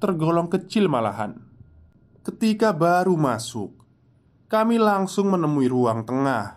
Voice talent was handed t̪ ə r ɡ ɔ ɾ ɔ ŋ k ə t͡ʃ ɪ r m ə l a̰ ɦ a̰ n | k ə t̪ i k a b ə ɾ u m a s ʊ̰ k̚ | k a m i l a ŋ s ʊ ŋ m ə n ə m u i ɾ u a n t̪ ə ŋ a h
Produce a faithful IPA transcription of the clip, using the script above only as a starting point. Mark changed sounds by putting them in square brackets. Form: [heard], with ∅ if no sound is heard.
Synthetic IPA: t̪ ə r ɡ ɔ [l] ɔ ŋ k ə t͡ʃ ɪ [l] m [a] l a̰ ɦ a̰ n | k ə t̪ i k a b [a] ɾ u m a s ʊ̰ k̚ | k a m i l a ŋ s ʊ ŋ m ə n ə m u i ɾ u a [ŋ] t̪ ə ŋ a h